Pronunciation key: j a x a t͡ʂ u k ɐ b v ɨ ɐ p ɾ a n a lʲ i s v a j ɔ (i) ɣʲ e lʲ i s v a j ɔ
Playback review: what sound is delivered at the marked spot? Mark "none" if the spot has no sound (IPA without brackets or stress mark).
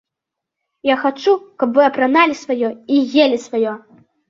i